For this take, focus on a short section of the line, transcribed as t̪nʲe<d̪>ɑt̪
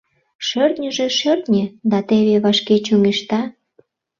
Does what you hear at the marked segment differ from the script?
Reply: no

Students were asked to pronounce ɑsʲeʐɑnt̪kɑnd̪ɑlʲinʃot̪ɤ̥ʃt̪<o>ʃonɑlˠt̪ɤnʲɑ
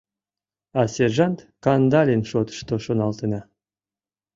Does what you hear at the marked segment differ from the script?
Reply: no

